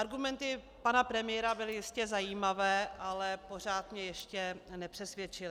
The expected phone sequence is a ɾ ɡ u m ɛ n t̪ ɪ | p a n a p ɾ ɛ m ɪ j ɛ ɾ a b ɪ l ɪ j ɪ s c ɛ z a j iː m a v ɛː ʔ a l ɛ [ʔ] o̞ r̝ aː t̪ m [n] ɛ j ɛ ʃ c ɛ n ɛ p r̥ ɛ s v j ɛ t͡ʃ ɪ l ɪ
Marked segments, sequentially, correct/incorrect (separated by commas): incorrect, incorrect